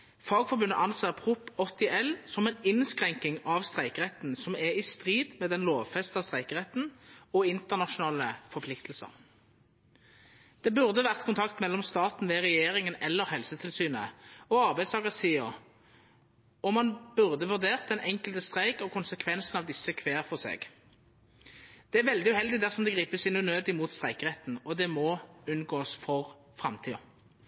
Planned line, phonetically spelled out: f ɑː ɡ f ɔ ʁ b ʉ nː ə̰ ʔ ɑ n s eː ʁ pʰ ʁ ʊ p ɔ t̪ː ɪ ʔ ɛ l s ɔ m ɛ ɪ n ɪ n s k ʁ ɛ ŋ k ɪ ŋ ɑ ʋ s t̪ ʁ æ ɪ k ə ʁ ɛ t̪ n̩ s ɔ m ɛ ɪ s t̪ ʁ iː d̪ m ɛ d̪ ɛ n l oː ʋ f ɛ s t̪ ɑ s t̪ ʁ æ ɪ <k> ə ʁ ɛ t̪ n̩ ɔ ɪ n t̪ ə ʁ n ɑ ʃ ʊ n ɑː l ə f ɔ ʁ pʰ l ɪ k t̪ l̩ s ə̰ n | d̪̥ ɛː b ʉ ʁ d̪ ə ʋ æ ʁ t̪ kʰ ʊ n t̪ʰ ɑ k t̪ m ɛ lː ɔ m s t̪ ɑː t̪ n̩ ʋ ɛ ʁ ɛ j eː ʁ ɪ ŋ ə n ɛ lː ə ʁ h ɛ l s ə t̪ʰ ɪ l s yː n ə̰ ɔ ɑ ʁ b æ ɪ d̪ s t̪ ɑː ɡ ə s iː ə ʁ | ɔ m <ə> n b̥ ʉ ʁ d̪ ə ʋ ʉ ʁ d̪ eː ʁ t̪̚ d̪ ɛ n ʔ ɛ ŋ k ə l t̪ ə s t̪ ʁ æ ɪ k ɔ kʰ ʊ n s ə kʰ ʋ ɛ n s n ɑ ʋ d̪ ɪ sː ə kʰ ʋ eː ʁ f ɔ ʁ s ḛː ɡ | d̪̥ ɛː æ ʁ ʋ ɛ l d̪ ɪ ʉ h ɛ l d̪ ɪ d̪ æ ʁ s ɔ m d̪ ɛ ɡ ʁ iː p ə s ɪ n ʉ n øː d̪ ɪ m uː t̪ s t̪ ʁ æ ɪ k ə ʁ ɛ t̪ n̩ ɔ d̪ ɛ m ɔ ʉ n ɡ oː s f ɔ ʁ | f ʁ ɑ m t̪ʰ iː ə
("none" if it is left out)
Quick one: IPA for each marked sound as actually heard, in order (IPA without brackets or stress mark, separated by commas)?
k, ɑ